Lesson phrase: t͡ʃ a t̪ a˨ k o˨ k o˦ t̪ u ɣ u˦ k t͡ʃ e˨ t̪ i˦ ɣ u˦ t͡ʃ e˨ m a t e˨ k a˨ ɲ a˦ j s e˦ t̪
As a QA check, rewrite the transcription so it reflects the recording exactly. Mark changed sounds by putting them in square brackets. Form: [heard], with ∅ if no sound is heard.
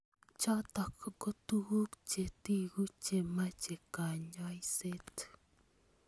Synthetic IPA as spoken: t͡ʃ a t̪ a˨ k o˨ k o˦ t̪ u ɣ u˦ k t͡ʃ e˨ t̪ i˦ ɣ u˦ t͡ʃ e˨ m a [t͡ʃ] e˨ k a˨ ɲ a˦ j s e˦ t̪